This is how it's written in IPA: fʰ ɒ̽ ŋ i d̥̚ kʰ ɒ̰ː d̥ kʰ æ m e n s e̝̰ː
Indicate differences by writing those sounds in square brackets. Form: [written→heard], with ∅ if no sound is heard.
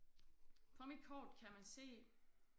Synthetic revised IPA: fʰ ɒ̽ [ŋ→m] i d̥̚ kʰ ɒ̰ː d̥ kʰ æ m [e→æ] n s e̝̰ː